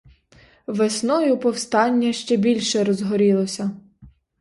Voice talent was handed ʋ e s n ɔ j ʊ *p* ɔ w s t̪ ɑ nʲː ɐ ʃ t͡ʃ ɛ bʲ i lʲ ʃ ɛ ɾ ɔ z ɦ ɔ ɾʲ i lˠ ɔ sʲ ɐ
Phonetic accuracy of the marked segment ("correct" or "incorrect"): correct